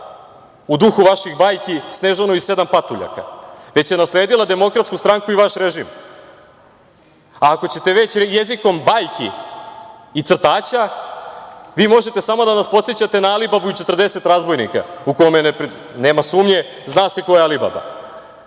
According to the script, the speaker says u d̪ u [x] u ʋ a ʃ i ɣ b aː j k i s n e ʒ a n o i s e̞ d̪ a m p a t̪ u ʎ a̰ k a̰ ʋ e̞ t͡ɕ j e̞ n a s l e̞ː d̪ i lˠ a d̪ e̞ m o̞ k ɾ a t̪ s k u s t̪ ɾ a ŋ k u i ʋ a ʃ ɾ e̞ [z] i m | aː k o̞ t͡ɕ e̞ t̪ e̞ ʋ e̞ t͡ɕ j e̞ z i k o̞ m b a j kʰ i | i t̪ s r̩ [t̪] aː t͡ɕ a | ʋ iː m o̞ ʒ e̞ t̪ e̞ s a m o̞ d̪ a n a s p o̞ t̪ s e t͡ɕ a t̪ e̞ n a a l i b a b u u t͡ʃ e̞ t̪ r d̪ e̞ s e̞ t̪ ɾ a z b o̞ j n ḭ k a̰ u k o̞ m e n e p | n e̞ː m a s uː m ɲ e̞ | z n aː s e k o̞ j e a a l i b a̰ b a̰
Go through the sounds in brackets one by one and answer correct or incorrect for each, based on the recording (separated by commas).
correct, incorrect, correct